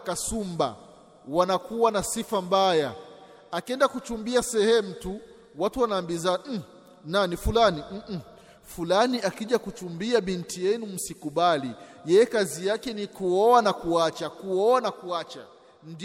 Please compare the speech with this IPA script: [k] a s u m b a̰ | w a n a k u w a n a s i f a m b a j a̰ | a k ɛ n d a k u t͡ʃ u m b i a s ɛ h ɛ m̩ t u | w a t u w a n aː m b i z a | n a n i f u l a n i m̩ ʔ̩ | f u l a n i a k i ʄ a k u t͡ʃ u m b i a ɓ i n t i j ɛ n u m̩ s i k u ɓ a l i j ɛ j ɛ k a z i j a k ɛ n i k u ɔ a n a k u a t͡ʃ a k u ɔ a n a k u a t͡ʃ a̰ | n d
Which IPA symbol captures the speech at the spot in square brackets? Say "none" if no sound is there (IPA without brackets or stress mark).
k